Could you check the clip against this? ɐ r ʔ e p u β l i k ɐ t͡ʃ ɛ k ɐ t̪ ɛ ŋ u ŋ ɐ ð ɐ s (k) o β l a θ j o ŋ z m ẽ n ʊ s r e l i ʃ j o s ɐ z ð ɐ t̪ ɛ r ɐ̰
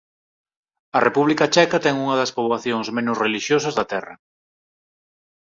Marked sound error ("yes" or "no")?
yes